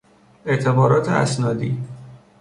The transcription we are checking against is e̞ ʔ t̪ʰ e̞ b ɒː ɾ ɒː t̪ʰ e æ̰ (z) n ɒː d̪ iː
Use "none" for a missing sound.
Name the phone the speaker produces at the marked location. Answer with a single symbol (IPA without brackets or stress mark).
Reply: s